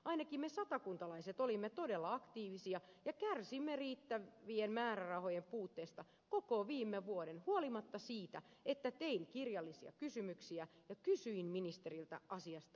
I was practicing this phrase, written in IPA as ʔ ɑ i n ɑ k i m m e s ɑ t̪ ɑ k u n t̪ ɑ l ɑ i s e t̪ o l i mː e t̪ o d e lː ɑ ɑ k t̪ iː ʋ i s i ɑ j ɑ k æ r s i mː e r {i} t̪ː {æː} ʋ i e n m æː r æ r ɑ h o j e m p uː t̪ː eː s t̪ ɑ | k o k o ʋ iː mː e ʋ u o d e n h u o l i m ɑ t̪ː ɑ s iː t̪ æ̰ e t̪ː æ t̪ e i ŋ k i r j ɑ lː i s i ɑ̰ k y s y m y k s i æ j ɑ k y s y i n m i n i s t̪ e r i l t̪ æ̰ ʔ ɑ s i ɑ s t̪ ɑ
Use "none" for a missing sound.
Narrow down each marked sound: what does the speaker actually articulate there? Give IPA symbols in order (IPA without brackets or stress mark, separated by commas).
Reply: iː, æ